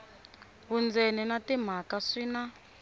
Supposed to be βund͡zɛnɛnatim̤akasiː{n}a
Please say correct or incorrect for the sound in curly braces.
correct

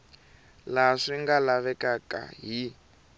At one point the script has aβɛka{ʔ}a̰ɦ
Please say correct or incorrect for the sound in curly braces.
incorrect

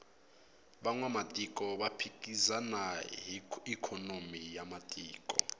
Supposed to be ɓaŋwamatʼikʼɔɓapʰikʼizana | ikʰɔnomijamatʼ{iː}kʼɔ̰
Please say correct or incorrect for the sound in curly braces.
correct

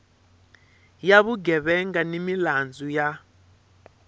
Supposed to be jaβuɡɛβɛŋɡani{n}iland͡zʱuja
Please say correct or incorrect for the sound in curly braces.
incorrect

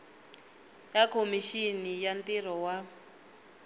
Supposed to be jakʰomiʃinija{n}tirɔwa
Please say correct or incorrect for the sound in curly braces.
correct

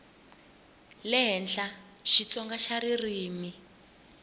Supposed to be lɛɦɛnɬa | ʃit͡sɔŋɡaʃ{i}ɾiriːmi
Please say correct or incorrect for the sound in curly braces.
incorrect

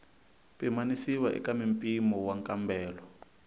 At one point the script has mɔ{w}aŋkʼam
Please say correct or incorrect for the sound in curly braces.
correct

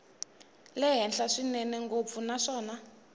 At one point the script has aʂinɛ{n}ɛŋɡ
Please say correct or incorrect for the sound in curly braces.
correct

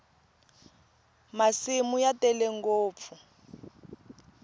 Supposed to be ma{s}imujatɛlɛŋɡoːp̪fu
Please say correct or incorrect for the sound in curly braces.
correct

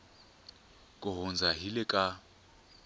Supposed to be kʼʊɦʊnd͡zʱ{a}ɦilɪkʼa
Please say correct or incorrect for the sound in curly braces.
correct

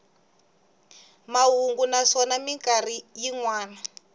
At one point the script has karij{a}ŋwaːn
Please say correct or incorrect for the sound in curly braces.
incorrect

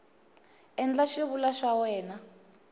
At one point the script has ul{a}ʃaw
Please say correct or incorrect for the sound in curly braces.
correct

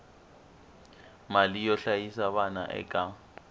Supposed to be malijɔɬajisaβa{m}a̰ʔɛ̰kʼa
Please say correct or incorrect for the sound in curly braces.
incorrect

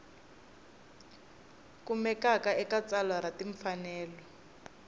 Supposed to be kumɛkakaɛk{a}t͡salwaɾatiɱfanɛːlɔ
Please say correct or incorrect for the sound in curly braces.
correct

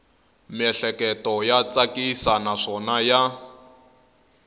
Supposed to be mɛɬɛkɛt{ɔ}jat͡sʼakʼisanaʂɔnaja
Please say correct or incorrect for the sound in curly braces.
correct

